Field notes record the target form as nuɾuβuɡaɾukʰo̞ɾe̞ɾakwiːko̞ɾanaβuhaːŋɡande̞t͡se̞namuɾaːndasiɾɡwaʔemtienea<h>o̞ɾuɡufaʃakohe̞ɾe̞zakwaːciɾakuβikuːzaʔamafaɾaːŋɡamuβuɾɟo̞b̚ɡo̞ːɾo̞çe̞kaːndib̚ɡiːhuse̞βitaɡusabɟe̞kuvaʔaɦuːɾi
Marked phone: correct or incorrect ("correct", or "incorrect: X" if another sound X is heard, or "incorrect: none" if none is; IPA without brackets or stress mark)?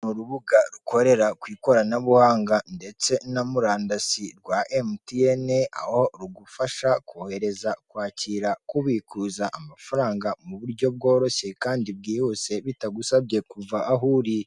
correct